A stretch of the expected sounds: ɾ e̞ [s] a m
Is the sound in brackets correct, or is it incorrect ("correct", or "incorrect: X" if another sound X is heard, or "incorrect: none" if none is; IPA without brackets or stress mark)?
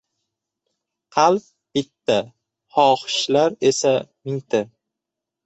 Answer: correct